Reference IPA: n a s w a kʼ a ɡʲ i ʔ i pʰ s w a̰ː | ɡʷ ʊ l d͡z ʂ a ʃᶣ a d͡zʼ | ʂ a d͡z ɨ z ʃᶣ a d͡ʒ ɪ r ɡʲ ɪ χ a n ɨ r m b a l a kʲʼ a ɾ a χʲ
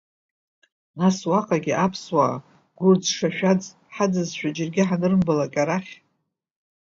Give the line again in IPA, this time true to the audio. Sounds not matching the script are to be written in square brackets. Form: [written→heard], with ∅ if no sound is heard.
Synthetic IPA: n a s w a [kʼ→qʼ] a ɡʲ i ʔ [i→a] pʰ s w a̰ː | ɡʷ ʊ [l→r] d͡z ʂ a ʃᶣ a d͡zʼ | [ʂ→ħ] a d͡z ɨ z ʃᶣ a d͡ʒ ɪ r ɡʲ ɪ [χ→ħ] a n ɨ r m b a l a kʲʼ a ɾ a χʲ